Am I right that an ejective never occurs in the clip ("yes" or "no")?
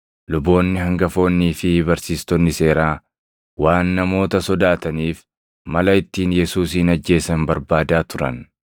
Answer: yes